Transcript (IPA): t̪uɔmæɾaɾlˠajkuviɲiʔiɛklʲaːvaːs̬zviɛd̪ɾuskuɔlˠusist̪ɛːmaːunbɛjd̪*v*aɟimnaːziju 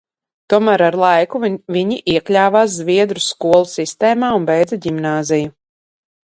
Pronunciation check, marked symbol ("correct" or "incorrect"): incorrect